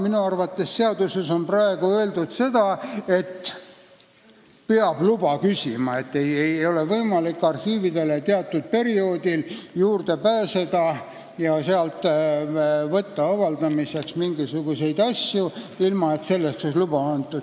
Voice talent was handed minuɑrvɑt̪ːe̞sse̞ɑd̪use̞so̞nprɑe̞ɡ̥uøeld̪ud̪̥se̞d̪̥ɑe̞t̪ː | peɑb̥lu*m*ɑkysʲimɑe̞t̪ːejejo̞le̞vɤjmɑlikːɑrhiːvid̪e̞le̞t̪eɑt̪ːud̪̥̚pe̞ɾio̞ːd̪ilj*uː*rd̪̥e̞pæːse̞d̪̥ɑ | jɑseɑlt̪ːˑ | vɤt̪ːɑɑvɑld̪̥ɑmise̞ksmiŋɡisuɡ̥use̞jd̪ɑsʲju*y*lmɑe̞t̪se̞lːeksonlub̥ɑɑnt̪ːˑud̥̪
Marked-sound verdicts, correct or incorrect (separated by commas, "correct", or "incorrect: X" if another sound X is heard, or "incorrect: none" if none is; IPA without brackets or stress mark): incorrect: b, correct, incorrect: i